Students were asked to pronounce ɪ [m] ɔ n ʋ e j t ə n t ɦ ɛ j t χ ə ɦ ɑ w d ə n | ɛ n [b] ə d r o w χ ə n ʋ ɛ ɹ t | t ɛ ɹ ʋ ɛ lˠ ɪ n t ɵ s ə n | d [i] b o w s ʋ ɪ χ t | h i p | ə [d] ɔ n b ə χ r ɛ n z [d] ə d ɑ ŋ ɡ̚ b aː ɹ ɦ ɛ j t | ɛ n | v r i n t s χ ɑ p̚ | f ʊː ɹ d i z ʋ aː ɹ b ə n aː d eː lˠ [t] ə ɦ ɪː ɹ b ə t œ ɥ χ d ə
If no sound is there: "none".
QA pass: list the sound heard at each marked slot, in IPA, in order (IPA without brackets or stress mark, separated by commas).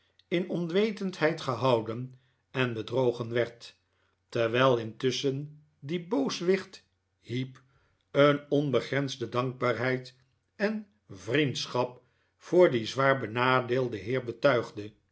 n, b, i, n, d, d